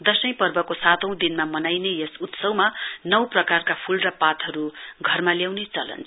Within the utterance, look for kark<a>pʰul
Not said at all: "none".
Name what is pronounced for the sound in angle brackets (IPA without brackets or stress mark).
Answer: a